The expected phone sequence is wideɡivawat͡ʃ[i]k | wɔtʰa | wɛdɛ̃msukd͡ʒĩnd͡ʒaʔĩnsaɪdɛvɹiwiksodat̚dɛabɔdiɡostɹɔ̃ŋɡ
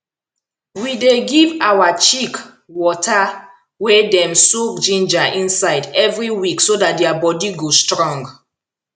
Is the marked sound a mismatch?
no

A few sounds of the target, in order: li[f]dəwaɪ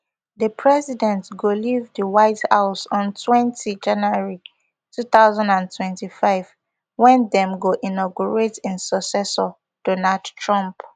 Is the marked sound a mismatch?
yes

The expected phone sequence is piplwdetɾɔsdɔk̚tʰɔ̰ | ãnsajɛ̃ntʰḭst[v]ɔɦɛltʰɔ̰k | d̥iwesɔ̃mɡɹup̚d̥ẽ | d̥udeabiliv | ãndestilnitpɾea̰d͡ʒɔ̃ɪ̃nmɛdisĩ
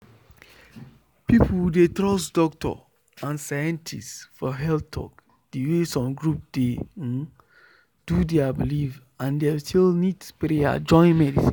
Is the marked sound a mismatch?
yes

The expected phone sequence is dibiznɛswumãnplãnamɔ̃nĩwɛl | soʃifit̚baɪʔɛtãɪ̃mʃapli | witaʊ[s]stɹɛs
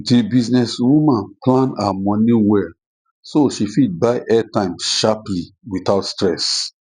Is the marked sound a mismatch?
yes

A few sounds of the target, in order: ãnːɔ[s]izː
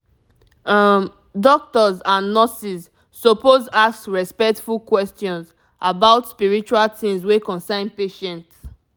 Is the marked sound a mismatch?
no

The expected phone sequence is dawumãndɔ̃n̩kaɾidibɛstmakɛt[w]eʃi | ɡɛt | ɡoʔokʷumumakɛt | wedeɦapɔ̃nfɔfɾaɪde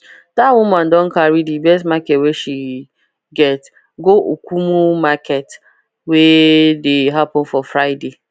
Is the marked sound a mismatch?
no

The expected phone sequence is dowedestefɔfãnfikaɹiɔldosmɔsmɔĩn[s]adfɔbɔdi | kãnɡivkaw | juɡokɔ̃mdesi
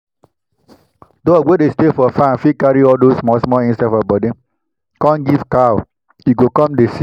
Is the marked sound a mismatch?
no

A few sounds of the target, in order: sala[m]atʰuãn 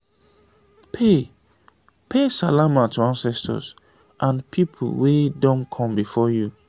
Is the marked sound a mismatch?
no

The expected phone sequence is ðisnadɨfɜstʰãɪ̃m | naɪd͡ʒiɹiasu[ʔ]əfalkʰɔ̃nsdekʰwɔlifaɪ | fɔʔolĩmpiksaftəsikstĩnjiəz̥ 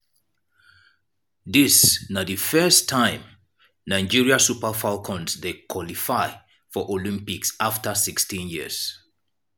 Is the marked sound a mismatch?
yes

